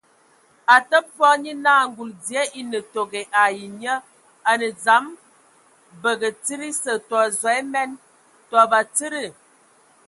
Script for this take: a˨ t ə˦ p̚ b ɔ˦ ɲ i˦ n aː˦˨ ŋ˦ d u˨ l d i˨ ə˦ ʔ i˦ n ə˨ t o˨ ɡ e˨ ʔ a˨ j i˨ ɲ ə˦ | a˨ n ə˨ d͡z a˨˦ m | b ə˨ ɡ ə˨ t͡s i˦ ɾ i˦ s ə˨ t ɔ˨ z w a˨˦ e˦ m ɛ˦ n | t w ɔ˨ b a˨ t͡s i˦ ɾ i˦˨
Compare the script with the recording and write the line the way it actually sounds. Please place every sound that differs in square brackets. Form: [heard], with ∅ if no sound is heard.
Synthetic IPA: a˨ t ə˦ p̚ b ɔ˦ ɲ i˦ n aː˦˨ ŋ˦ [ɡ] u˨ l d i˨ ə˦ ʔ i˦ n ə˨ t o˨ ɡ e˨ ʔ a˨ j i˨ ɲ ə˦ | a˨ n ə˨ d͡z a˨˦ m | b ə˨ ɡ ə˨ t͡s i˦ ɾ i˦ s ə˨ t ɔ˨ z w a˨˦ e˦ m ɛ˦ n | t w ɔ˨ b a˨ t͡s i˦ ɾ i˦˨